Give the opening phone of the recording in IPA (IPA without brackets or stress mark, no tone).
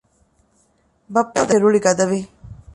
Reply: b